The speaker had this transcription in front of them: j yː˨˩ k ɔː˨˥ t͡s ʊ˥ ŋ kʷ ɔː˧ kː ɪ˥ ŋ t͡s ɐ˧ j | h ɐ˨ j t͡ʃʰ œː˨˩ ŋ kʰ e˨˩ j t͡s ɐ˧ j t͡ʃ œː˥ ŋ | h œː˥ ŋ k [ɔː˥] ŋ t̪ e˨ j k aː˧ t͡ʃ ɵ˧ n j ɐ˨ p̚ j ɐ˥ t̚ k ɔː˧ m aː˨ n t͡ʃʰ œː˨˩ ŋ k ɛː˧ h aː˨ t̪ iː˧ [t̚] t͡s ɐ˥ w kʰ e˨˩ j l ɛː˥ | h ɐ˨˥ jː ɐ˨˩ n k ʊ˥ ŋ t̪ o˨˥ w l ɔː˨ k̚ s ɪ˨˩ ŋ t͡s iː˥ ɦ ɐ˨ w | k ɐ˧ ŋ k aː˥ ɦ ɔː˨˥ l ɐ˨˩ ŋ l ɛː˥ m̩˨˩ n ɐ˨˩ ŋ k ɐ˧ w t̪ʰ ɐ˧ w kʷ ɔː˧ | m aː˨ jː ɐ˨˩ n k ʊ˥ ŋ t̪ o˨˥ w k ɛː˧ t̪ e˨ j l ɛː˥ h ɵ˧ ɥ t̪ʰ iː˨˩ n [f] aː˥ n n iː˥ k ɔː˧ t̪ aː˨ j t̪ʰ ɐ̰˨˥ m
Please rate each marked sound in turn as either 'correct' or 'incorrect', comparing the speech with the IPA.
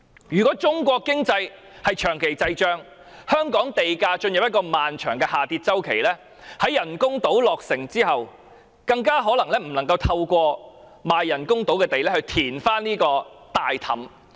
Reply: incorrect, correct, correct

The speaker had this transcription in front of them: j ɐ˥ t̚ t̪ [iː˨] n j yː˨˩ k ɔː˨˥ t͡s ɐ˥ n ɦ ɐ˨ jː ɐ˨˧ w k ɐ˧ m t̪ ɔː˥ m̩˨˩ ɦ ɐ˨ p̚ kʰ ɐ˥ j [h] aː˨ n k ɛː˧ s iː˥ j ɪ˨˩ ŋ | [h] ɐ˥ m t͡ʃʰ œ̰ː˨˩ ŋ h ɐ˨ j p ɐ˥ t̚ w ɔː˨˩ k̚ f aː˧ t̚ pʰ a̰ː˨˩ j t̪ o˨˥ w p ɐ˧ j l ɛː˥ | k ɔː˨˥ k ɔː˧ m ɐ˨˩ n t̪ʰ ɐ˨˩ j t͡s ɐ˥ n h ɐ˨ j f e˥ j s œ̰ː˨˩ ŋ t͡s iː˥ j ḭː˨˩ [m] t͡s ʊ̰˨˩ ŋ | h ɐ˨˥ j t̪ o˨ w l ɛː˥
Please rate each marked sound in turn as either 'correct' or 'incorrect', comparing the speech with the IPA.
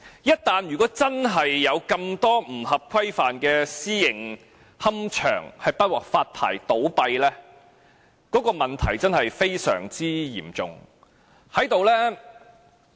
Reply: incorrect, incorrect, correct, correct

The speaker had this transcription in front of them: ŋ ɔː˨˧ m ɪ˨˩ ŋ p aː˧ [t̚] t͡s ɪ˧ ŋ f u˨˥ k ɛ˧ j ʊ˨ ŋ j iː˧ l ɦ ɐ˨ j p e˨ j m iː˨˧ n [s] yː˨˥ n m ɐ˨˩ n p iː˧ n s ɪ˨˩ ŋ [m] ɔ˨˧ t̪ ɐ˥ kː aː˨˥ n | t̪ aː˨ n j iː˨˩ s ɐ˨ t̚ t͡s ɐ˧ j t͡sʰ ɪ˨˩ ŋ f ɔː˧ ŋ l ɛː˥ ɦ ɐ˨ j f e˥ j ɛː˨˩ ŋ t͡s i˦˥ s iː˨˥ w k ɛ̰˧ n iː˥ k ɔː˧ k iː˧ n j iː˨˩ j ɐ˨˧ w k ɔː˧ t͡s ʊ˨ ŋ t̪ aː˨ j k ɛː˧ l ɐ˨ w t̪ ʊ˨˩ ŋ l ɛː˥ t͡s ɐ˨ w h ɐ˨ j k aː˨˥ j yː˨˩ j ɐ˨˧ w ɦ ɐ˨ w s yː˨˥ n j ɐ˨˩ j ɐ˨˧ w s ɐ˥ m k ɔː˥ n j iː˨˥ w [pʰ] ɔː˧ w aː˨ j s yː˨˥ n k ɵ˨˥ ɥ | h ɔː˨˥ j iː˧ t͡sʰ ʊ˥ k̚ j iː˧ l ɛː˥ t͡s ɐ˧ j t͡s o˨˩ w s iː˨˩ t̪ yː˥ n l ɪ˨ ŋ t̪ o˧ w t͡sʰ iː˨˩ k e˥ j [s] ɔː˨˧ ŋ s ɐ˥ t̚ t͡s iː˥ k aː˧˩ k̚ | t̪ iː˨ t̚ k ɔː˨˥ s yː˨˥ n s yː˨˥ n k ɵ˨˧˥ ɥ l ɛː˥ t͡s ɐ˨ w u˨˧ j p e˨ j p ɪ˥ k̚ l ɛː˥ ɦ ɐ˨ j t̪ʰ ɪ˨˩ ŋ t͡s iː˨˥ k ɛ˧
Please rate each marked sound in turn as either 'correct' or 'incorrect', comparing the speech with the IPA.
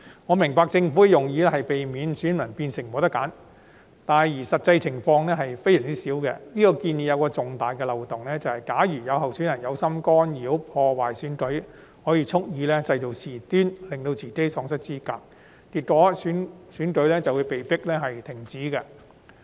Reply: incorrect, correct, correct, correct, correct

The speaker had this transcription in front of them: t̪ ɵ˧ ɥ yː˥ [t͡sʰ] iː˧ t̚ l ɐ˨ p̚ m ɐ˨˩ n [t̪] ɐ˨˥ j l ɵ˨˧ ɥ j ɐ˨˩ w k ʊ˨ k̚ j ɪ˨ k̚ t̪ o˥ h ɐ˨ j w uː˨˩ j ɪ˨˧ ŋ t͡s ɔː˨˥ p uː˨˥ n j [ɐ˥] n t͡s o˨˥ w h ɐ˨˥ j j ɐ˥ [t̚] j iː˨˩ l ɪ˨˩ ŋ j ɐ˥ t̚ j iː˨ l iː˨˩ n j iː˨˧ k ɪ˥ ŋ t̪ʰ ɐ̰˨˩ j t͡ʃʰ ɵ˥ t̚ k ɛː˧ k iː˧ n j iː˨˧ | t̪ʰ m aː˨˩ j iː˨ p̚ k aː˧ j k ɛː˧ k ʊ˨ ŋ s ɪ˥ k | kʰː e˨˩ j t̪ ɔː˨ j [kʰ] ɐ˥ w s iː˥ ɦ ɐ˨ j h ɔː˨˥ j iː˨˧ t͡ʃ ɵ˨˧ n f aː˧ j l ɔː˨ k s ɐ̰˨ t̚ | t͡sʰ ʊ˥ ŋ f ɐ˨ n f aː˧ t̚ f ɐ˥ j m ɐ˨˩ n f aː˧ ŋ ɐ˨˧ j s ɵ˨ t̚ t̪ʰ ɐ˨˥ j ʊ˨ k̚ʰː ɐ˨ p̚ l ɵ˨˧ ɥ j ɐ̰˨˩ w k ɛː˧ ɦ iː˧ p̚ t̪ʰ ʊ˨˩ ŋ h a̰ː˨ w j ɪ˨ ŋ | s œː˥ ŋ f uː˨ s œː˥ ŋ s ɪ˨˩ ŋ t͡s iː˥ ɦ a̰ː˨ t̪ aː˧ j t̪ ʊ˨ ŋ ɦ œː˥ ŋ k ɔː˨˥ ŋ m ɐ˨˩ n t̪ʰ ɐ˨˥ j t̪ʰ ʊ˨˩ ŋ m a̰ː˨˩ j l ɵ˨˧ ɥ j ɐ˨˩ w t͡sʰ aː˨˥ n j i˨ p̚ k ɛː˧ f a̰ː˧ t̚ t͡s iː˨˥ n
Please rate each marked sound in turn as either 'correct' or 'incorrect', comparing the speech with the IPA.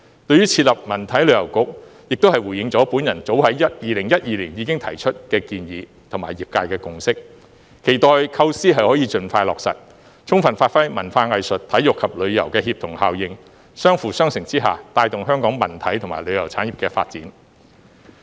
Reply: correct, incorrect, incorrect, correct, correct

